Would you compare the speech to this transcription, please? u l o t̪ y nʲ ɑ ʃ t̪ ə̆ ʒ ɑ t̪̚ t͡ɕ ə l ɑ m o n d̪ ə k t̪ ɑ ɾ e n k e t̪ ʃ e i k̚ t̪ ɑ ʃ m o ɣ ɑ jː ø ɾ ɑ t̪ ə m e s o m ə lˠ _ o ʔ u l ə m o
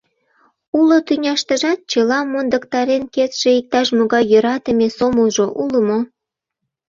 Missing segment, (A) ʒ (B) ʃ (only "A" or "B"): A